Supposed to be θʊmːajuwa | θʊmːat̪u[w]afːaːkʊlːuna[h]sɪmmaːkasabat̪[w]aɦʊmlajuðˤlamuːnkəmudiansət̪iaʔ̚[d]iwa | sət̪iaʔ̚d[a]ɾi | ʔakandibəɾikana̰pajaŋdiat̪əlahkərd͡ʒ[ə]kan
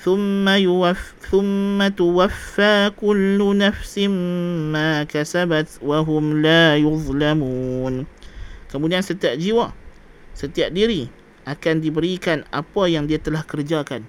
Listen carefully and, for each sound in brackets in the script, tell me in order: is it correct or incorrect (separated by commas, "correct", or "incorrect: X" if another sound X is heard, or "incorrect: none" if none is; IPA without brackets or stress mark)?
correct, incorrect: f, correct, incorrect: d͡ʒ, incorrect: i, incorrect: a